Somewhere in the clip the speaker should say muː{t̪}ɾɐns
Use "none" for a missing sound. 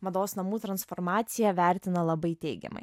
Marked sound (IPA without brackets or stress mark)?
t̪